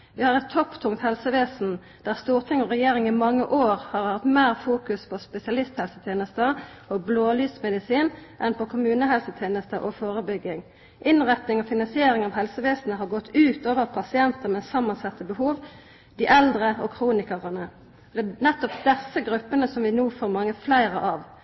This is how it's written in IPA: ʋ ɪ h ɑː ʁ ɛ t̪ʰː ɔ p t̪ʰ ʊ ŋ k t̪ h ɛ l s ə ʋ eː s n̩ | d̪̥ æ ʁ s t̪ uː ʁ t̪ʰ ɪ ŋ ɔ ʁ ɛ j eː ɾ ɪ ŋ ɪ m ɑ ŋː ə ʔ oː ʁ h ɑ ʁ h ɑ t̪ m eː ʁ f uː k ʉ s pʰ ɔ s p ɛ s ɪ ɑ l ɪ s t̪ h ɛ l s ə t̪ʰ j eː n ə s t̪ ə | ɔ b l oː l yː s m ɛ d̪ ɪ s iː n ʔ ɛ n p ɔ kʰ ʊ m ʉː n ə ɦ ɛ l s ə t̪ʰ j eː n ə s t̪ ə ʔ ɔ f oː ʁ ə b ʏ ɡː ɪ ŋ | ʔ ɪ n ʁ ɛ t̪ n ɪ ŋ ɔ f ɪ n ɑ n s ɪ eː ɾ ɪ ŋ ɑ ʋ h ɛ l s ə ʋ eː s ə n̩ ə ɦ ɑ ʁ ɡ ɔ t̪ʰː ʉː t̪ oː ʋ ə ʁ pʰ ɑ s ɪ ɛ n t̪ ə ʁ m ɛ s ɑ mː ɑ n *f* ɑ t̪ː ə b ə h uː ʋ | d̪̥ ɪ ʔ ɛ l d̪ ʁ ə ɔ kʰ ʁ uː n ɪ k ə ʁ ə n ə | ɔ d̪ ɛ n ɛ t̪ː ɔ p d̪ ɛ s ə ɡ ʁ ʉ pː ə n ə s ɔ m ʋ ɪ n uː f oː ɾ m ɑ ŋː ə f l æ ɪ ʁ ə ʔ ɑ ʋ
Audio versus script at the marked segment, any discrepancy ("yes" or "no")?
yes